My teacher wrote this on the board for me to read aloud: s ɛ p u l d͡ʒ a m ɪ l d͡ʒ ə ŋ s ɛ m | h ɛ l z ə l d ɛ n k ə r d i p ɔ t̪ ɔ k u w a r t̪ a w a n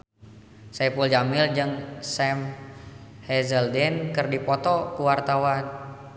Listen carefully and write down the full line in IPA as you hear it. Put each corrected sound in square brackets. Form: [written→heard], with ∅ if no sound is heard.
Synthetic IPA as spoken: s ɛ p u l d͡ʒ a m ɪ l d͡ʒ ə ŋ s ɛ m | h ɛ [l→∅] z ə l d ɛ n k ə r d i p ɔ t̪ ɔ k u w a r t̪ a w a n